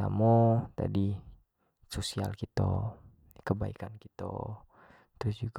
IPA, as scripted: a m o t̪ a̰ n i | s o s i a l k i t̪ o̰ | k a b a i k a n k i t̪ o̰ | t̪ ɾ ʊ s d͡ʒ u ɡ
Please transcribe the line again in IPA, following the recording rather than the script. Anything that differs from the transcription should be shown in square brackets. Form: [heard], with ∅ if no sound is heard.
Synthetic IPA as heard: a m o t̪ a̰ [d] i | s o s i a l k i t̪ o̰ | k [ə] b a i k a n k i t̪ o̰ | t̪ ɾ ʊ s d͡ʒ u ɡ